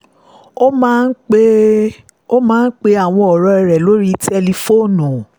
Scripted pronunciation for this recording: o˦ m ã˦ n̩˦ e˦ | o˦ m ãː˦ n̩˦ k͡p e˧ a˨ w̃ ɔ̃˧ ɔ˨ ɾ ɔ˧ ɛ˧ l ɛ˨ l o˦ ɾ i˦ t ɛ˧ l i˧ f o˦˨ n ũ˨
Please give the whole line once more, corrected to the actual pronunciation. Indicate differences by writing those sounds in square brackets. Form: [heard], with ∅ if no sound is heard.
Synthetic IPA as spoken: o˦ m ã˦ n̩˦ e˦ | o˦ m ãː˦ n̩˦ k͡p e˧ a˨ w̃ ɔ̃˧ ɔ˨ ɾ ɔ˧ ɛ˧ [ɾ] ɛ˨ l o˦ ɾ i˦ t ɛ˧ l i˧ f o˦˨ n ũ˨